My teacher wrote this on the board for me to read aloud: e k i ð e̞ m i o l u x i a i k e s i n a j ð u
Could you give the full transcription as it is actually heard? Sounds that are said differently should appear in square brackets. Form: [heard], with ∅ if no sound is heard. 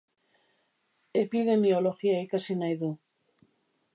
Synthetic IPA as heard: e [p] i ð e̞ m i o l [o] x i a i k [a] s i n a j ð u